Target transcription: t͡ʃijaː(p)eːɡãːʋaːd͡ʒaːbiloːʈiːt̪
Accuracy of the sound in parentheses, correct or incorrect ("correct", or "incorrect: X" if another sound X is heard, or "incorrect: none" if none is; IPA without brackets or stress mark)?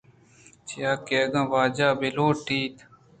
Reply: incorrect: k